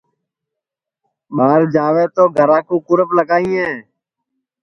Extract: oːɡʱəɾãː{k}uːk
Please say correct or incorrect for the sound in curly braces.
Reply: correct